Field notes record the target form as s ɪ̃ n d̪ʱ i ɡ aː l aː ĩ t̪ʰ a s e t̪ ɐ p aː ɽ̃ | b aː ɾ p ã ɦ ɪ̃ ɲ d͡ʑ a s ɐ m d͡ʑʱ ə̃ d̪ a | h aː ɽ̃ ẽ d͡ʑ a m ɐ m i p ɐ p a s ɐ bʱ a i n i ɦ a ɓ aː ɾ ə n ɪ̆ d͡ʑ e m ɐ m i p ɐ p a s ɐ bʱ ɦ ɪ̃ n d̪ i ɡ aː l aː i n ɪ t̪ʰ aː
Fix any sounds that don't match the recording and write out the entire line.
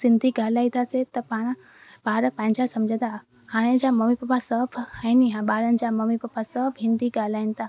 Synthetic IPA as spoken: s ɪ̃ n d̪ʱ i ɡ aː l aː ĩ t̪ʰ a s e t̪ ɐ p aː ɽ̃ | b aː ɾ p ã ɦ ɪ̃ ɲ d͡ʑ a s ɐ m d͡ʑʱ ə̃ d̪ a | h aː ɽ̃ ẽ d͡ʑ a m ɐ m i p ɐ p a s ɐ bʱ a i n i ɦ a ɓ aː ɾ ə n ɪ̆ d͡ʑ a m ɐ m i p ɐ p a s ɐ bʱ ɦ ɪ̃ n d̪ i ɡ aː l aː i n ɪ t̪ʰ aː